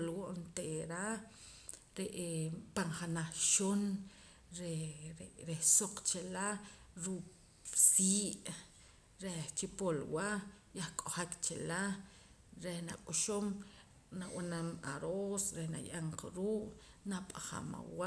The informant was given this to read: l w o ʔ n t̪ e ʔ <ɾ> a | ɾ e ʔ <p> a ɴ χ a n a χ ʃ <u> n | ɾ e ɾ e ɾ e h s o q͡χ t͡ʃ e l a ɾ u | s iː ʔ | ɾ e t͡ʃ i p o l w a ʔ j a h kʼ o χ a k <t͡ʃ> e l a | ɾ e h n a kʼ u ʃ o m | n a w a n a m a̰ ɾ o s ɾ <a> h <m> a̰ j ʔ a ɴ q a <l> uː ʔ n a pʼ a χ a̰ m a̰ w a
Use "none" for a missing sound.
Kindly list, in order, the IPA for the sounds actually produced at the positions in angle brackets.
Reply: ɾ, p, o, t͡ʃ, e, n, ɾ

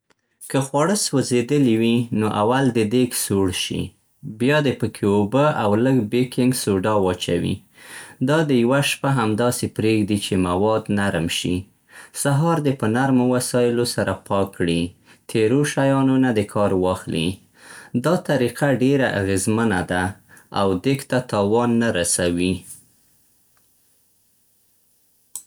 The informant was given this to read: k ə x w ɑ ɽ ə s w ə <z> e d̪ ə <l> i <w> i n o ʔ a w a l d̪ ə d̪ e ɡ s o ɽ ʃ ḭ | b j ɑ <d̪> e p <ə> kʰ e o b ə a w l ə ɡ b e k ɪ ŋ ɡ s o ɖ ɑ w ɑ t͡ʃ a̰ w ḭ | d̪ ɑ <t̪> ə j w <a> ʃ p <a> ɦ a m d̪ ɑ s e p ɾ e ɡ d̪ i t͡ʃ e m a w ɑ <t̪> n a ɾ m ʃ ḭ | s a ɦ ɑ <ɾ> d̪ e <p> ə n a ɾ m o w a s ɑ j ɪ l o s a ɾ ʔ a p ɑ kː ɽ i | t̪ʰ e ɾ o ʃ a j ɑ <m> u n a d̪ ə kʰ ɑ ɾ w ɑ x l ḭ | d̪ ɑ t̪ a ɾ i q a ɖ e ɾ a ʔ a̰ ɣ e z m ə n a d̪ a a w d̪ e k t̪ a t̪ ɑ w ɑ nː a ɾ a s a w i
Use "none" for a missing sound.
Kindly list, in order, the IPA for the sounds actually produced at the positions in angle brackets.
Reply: z, l, w, d̪, ə, d̪, a, a, d̪, ɾ, p, n

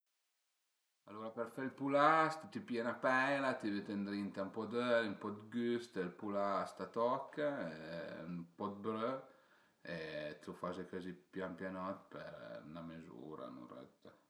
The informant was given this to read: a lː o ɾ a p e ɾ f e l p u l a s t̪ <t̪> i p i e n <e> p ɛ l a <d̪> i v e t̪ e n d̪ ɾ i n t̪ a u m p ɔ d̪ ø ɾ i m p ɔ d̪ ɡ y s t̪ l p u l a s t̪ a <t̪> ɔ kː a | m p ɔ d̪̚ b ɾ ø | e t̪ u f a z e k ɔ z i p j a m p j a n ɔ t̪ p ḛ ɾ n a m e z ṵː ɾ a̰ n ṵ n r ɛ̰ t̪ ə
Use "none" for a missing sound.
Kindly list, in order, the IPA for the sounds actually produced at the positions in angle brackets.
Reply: t̪, a, t̪, t̪

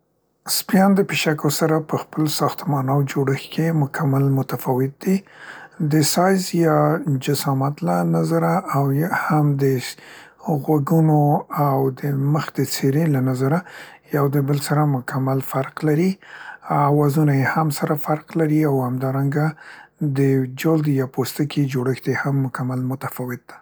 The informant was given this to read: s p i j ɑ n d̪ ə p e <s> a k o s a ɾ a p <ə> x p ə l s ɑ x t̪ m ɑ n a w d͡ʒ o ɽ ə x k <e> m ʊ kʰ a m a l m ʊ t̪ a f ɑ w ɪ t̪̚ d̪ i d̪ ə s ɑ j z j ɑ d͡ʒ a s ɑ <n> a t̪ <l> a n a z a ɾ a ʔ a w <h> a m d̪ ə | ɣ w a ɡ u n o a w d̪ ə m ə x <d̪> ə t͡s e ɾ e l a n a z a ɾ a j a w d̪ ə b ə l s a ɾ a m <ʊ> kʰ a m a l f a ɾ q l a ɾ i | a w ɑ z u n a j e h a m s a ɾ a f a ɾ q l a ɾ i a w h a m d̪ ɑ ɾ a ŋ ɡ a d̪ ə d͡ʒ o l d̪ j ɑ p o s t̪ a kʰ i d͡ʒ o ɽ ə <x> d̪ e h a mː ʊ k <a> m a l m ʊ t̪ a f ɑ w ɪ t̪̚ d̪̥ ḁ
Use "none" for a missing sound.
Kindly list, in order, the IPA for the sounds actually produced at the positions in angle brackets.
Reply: ʃ, ə, e, m, l, h, d̪, ʊ, x, a

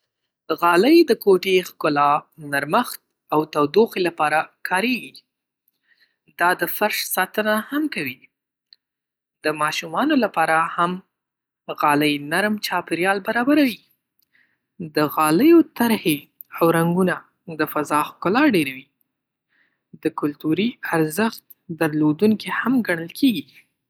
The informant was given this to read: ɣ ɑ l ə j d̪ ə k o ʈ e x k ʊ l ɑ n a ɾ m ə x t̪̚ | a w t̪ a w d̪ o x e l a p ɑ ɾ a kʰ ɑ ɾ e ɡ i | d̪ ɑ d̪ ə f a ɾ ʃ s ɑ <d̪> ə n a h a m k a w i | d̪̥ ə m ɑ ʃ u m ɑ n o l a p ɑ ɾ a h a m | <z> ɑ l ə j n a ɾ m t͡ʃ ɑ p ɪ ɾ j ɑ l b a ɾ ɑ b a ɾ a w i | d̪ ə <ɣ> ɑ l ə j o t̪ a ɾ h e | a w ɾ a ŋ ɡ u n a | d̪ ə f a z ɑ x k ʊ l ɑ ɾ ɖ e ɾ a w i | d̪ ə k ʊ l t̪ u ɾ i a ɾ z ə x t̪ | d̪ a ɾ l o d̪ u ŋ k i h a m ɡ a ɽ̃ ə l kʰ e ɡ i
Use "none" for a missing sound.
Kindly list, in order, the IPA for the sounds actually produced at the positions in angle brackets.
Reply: t̪, ɣ, ɣ

